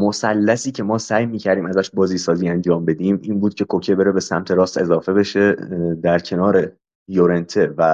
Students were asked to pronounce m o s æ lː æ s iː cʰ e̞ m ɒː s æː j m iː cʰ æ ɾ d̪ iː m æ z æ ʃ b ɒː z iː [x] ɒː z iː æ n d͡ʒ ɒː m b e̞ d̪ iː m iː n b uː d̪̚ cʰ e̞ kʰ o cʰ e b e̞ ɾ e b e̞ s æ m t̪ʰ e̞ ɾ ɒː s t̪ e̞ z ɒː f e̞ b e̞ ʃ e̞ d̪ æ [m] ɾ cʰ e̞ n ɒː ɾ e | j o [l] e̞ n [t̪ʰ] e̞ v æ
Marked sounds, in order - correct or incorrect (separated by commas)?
incorrect, incorrect, incorrect, correct